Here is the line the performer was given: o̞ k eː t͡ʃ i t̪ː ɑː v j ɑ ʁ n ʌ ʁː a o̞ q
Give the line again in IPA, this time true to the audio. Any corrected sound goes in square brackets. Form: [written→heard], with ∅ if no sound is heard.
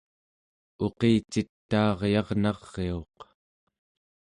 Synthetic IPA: o̞ [k→q] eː t͡ʃ i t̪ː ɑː [v→ʁ] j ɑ ʁ n [ʌ→ɑ] ʁː [a→e] o̞ q